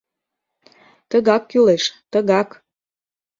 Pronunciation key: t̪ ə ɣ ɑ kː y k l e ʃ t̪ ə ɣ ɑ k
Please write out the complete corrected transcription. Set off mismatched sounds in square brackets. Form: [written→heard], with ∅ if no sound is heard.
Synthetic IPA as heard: t̪ ə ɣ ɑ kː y [k→∅] l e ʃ t̪ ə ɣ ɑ k